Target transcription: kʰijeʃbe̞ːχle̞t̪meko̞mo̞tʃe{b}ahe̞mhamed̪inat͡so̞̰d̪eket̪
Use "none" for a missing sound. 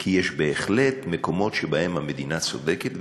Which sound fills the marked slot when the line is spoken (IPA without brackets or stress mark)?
b